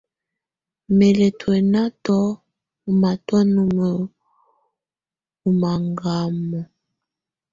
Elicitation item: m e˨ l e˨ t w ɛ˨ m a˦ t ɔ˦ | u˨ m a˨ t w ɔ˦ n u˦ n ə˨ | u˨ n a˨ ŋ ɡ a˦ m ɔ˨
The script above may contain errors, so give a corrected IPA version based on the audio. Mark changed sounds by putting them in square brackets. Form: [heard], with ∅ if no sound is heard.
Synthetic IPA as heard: m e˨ l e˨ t w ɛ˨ [n] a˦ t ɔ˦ | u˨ m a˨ t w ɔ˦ n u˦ [m] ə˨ | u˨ [m] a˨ ŋ ɡ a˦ m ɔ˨

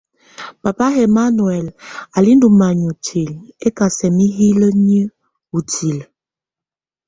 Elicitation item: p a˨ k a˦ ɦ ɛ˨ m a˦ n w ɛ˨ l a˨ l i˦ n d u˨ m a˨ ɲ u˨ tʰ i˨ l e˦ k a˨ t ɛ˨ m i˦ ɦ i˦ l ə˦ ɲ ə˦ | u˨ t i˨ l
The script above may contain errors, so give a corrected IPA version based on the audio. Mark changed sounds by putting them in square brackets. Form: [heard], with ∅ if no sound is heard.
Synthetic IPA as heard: p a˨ [p] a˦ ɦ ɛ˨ m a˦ n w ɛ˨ l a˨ l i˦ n d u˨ m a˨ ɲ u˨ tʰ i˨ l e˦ k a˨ [s] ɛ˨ m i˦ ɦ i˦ l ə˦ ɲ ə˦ | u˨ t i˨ l

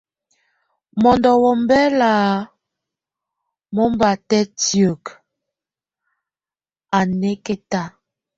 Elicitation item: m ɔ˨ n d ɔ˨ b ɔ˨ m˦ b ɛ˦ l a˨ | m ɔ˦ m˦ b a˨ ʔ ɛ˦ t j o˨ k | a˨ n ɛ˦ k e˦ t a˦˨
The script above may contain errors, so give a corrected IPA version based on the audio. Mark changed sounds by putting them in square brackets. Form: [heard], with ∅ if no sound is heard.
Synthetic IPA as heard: m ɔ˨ n d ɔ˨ [w] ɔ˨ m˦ b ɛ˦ l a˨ | m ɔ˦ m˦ b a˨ [t] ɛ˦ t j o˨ k | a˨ n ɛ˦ k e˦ t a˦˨

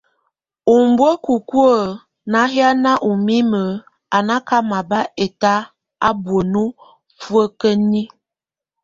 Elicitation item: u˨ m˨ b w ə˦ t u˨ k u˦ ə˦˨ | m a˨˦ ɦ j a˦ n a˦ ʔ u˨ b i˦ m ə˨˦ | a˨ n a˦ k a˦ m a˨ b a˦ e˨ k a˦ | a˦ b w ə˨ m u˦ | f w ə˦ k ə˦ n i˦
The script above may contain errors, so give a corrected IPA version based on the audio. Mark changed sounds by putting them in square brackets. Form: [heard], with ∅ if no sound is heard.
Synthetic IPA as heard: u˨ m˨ b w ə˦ [k] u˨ k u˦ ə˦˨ | [n] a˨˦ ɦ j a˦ n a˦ ʔ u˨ [m] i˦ m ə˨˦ | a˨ n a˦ k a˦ m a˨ b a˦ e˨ [t] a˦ | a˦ b w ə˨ [n] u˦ | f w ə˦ k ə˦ n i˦

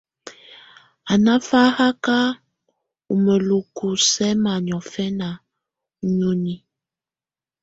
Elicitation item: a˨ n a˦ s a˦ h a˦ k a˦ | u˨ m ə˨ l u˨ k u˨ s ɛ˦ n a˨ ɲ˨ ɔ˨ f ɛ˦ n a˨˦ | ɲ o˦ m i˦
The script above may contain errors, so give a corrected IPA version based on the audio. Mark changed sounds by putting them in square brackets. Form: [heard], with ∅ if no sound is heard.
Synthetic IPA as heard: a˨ n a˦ [f] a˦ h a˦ k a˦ | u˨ m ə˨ l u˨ k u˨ s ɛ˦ [m] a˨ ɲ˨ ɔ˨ f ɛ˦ n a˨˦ | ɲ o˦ [n] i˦

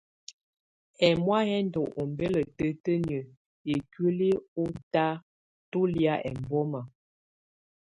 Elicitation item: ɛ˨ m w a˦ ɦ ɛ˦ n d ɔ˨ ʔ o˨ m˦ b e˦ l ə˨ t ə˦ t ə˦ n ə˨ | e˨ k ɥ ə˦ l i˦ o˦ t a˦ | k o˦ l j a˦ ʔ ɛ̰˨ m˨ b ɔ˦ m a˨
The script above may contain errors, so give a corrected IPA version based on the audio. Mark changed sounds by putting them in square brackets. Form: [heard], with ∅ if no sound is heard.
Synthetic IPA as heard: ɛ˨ m w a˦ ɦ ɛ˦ n d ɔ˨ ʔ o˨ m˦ b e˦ l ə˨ t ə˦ t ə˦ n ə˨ | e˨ k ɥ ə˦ l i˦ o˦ t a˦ | [t] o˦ l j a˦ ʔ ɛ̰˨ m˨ b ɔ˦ m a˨

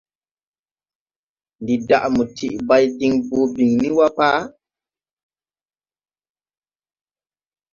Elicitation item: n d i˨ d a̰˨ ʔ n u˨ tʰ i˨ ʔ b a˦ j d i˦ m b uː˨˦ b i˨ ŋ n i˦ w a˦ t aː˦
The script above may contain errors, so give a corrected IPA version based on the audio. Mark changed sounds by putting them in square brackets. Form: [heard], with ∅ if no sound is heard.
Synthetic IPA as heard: n d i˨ d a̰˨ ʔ [m] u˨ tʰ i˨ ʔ b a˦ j d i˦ [ŋ] b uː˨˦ b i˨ ŋ n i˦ w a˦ [p] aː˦

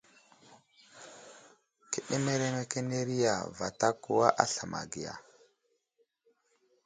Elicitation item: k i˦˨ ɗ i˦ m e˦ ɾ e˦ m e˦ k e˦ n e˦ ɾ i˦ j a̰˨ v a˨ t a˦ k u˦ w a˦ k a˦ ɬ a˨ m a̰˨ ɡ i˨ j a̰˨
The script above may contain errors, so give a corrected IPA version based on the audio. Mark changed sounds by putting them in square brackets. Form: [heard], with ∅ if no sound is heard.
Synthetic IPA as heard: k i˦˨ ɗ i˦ m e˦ ɾ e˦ m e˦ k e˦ n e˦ ɾ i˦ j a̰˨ v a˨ t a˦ k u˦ w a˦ [ʔ] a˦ ɬ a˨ m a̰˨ ɡ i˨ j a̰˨

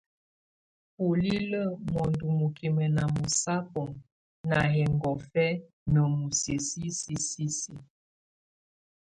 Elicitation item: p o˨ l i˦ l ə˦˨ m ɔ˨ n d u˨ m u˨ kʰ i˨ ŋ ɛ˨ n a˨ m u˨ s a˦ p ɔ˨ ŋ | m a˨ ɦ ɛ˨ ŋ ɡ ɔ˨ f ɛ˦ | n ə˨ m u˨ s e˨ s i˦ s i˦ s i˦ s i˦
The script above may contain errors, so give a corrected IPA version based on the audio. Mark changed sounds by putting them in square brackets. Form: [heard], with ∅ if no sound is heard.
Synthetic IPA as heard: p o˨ l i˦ l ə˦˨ m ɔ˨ n d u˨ m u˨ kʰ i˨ [m] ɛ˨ n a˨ m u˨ s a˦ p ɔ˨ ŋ | [n] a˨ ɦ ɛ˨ ŋ ɡ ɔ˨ f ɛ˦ | n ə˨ m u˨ s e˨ s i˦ s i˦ s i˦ s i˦

